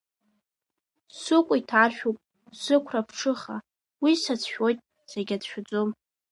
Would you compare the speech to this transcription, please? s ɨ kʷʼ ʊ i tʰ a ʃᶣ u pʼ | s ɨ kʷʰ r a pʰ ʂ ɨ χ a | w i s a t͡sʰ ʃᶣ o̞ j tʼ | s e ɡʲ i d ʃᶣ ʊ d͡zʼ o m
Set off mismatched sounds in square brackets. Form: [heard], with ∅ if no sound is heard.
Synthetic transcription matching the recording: s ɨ kʷʼ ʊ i tʰ a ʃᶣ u pʼ | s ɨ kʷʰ r a pʰ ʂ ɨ χ a | w i s a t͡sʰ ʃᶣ o̞ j tʼ | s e ɡʲ [a] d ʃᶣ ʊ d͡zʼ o m